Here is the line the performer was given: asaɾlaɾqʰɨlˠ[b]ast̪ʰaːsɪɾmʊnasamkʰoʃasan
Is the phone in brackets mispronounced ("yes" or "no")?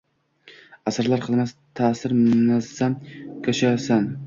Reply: yes